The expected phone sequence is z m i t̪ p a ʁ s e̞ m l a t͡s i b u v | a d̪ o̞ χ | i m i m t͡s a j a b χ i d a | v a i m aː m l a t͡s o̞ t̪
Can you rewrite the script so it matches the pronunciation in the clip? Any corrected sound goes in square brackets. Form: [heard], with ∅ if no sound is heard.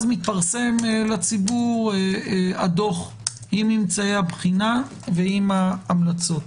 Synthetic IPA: z m i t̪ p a ʁ s e̞ m l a t͡s i b u [ʁ] | a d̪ o̞ χ | i m i m t͡s a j a b χ i [n] a | v [e] i m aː m l a t͡s o̞ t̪